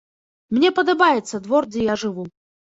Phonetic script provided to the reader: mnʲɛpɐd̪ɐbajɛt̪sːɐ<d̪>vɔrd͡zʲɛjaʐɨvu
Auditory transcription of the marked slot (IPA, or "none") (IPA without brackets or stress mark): d̪